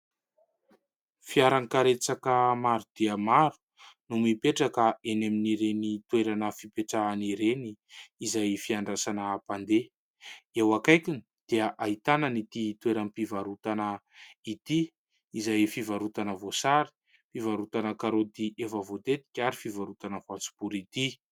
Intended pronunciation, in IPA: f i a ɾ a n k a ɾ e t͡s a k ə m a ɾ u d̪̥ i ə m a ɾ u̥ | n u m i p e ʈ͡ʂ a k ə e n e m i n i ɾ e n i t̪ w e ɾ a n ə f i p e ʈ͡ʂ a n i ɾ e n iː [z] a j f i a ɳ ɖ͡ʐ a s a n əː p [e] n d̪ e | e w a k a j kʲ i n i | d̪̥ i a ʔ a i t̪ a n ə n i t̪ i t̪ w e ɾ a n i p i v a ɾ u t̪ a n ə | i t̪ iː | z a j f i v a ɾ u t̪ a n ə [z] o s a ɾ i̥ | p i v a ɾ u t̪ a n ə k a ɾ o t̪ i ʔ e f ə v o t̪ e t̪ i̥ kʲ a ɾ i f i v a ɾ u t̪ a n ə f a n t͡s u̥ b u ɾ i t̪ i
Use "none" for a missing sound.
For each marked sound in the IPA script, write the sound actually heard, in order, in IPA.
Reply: z, a, v

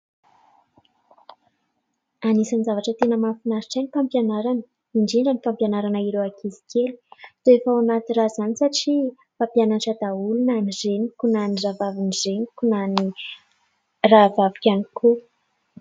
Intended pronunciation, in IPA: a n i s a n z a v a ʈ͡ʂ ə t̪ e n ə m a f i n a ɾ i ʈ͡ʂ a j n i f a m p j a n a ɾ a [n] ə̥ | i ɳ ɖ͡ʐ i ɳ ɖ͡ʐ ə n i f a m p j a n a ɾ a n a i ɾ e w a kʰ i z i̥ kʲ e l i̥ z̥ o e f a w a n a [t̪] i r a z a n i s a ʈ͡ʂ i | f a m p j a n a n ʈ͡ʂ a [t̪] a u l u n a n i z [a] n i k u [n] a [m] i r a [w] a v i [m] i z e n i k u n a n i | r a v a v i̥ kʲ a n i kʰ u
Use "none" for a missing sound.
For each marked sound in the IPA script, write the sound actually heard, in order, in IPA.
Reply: n, t̪, d̪, e, n, n, v, n

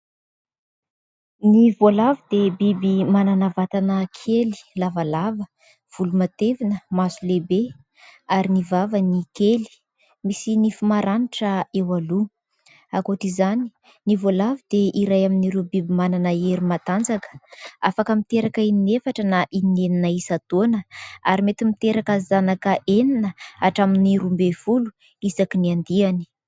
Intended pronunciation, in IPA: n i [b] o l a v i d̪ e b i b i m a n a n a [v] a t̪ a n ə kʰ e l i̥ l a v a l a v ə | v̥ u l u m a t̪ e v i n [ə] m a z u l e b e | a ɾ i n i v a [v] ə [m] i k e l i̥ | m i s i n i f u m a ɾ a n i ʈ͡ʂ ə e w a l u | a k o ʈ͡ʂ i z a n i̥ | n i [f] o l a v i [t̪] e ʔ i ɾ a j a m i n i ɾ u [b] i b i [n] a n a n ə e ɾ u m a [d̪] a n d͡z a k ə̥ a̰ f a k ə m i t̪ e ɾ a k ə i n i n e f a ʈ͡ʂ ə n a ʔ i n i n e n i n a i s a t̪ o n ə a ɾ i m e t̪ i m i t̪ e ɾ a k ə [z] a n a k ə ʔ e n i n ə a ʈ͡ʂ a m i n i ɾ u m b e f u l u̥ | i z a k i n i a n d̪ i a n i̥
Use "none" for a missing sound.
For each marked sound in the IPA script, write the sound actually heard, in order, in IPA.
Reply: v, v, ə, v, n, v, d̪, b, m, t̪, z

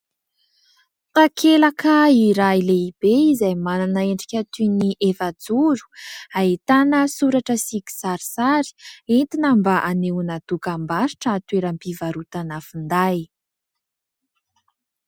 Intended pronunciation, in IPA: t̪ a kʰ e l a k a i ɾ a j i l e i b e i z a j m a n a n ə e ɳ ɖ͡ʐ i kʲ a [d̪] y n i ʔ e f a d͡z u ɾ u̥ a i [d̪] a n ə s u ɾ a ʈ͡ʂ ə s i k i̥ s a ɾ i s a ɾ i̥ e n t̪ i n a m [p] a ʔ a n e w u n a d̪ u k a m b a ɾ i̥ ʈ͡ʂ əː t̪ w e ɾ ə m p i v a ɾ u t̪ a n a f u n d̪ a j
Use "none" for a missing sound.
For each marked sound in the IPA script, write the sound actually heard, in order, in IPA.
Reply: t̪, t̪, b

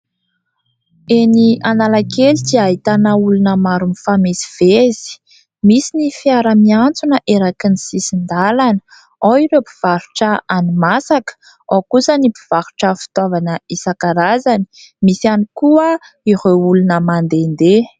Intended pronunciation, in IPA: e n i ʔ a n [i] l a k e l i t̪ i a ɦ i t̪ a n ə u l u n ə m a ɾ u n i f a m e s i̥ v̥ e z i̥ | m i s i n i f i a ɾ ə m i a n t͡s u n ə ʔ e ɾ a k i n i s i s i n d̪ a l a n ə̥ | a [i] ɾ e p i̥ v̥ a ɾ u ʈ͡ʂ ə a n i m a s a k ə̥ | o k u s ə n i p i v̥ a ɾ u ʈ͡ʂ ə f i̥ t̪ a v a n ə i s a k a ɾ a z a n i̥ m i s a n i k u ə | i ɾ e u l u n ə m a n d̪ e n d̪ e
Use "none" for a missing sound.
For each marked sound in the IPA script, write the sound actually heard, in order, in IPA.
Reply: a, i

